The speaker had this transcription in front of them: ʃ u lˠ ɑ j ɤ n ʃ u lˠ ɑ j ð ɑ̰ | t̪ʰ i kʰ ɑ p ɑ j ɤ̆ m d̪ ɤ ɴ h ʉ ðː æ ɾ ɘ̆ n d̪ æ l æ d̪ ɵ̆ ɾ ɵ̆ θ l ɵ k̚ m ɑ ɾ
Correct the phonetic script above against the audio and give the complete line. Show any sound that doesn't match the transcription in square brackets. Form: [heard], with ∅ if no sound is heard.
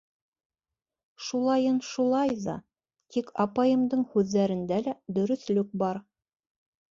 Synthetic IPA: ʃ u lˠ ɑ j ɤ n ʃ u lˠ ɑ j ð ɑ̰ | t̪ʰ i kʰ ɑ p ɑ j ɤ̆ m d̪ ɤ ɴ h ʉ ðː æ ɾ ɘ̆ n d̪ æ l æ d̪ ɵ̆ ɾ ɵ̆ θ l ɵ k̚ [b] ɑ ɾ